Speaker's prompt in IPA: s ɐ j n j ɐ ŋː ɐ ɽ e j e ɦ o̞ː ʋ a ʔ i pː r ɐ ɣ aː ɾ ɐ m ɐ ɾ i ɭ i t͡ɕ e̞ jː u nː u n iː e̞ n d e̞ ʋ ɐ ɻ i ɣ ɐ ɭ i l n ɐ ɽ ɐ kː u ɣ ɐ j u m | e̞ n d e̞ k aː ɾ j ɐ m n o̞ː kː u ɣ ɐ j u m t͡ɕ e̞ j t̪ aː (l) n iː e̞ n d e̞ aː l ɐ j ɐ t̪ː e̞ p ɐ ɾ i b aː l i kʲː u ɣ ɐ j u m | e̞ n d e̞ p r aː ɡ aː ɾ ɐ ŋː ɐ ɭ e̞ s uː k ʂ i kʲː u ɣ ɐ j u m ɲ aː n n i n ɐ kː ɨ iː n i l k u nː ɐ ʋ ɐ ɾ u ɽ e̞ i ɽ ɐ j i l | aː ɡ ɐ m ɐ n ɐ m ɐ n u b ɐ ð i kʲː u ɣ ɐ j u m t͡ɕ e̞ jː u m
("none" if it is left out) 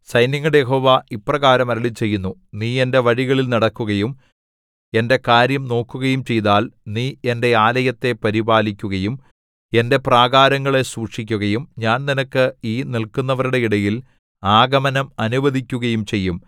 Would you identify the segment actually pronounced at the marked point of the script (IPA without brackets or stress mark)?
l